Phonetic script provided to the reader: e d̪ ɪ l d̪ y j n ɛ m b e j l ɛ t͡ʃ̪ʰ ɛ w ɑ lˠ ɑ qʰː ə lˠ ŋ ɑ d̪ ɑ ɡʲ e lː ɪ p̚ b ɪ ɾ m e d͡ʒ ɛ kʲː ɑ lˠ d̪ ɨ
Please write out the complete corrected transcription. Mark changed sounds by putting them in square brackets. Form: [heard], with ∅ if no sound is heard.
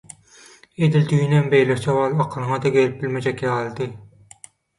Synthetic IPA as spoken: e d̪ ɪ l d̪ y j n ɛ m b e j l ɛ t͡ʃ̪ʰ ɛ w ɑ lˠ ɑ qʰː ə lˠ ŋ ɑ d̪ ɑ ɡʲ e [l] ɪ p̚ b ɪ [l] m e d͡ʒ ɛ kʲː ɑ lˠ d̪ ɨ